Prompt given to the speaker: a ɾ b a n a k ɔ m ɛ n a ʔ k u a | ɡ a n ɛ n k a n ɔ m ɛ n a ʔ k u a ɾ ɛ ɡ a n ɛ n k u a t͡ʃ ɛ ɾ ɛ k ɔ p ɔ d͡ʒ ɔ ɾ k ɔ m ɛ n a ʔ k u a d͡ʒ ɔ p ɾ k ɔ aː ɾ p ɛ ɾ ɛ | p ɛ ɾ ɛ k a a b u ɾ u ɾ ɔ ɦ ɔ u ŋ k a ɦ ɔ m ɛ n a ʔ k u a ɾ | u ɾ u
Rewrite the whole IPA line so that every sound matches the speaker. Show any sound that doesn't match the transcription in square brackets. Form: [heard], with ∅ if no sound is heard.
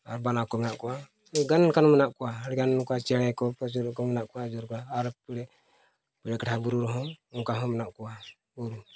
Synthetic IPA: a ɾ b a n a k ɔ m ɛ n a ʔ k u a | ɡ a n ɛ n k a n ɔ m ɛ n a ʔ k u a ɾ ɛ ɡ a n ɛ n k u a t͡ʃ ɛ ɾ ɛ k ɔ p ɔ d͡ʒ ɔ ɾ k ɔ m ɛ n a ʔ k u a d͡ʒ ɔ [∅] ɾ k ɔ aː ɾ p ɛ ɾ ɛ | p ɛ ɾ ɛ k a a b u ɾ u ɾ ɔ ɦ ɔ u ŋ k a ɦ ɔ m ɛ n a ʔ k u a [∅] | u ɾ u